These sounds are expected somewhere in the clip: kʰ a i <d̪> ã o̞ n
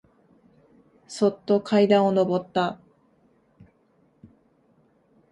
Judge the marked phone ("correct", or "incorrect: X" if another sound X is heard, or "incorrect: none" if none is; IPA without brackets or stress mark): correct